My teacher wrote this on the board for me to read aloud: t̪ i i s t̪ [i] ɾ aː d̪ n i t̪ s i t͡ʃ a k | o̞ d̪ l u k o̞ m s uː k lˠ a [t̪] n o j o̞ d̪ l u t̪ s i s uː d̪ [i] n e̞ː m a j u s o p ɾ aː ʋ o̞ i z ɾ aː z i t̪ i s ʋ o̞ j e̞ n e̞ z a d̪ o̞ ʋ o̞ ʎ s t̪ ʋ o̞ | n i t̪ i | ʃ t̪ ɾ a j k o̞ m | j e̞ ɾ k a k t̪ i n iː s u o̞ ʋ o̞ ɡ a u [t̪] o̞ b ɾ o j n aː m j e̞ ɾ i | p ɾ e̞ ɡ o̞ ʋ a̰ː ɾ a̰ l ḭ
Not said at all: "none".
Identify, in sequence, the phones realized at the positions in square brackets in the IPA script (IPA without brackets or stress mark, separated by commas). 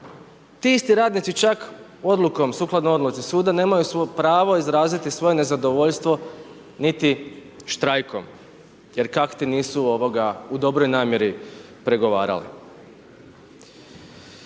i, d̪, a, d̪